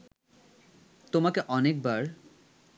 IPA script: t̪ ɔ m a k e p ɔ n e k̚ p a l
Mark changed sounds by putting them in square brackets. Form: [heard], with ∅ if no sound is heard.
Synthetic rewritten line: t̪ [o] m a k e [ʔ] ɔ n e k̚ [b] a [ɾ]